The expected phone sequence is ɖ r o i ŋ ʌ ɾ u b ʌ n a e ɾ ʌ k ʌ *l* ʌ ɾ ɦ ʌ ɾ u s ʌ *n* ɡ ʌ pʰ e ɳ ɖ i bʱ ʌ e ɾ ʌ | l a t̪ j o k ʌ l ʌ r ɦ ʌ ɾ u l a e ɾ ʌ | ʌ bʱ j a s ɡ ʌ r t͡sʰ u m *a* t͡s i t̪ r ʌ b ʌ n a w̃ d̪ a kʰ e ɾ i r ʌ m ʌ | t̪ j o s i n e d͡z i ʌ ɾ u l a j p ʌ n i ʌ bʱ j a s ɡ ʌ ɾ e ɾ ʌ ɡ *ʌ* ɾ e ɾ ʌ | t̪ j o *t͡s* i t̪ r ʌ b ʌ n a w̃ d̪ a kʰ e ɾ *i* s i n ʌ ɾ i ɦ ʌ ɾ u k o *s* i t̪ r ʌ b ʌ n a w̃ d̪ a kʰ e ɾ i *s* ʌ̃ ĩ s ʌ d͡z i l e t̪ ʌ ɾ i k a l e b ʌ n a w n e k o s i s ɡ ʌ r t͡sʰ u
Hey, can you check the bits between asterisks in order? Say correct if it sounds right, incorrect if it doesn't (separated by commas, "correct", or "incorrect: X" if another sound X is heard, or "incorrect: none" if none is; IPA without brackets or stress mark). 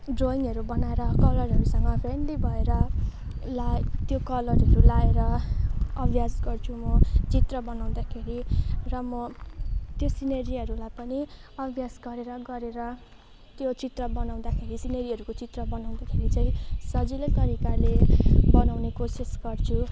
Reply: correct, incorrect: ŋ, incorrect: ʌ, correct, correct, correct, incorrect: t͡s, incorrect: t͡s